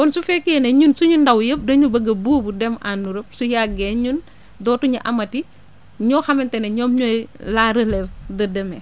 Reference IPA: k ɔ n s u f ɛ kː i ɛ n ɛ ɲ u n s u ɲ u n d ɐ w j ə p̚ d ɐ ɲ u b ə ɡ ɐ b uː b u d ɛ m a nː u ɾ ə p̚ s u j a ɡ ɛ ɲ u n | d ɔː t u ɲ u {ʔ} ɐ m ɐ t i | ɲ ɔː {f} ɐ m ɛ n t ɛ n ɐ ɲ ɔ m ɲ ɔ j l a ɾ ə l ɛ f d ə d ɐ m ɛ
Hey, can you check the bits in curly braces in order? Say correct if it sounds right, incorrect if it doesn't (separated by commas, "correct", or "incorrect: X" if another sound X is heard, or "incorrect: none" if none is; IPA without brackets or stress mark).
correct, incorrect: x